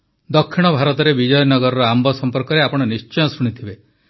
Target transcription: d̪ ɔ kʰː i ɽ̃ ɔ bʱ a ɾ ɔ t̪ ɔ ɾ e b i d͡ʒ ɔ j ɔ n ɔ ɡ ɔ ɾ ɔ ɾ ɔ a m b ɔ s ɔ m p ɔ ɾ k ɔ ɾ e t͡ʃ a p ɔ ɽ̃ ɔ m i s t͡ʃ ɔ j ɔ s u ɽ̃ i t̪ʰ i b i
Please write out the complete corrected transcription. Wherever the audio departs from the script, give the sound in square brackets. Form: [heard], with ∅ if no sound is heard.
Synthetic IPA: d̪ ɔ kʰː i ɽ̃ ɔ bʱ a ɾ ɔ t̪ ɔ ɾ e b i d͡ʒ ɔ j ɔ n ɔ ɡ ɔ ɾ ɔ ɾ ɔ a m b ɔ s ɔ m p ɔ ɾ k ɔ ɾ e [∅] a p ɔ ɽ̃ ɔ [n] i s t͡ʃ ɔ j ɔ s u ɽ̃ i t̪ʰ i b [e]